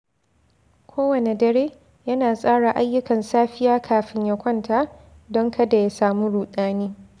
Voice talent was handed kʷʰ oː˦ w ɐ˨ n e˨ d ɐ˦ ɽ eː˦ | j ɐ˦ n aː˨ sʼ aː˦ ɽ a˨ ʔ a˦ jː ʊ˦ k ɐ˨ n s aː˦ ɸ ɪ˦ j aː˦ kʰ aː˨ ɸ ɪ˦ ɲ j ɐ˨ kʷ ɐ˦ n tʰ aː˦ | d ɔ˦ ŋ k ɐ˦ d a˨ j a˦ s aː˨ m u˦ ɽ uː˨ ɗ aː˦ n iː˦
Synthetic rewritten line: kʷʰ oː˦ w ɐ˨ n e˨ d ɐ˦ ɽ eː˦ | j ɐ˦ n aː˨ sʼ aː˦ ɽ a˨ ʔ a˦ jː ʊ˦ k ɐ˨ n s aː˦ ɸ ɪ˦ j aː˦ kʰ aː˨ ɸ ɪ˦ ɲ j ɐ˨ kʷ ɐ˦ n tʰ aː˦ | d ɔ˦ ŋ k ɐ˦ d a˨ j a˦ s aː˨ m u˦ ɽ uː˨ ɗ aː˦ n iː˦